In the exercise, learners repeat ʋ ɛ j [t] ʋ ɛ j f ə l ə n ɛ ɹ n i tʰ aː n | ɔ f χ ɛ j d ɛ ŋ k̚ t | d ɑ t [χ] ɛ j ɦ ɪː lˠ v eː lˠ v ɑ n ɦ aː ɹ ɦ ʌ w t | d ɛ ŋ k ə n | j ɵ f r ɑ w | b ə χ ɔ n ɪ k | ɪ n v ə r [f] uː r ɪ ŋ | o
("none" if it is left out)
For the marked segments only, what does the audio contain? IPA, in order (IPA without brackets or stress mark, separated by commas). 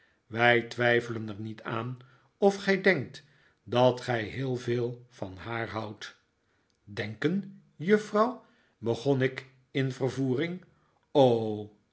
t, χ, v